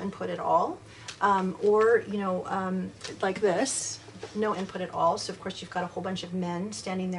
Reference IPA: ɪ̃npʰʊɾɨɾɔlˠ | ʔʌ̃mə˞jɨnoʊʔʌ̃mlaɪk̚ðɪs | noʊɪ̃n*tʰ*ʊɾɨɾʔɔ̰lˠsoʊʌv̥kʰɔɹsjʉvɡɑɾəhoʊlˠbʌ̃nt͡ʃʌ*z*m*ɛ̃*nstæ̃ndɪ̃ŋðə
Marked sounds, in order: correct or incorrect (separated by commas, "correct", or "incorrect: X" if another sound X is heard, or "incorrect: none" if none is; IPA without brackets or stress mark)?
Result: incorrect: pʰ, incorrect: v, correct